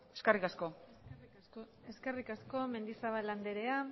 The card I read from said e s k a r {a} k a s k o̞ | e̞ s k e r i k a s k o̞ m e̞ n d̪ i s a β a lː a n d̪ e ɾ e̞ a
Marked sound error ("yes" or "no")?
yes